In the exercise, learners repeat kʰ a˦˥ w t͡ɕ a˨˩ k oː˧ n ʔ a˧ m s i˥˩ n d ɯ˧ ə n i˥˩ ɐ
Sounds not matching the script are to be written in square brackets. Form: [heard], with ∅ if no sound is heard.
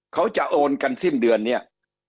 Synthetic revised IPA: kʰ a˦˥ w t͡ɕ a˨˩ [ʔ] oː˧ n [k] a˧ [n] s i˥˩ n d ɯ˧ ə [nː] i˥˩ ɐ